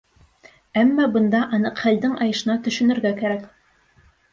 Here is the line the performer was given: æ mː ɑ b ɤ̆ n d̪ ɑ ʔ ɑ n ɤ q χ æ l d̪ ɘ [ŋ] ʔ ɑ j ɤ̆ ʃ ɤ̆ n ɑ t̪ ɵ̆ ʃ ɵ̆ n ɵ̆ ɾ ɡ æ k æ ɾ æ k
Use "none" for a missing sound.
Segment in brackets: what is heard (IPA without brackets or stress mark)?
ŋ